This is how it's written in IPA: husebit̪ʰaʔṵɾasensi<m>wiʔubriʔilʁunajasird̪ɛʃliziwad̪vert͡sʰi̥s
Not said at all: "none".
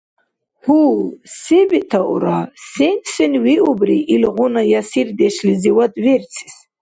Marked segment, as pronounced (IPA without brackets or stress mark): n